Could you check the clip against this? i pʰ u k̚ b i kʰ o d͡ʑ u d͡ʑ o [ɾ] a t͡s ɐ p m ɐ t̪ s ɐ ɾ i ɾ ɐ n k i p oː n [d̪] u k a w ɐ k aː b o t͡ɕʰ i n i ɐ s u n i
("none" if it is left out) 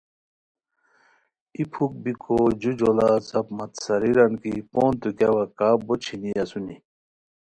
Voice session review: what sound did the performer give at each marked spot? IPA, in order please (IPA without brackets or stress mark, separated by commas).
l, t̪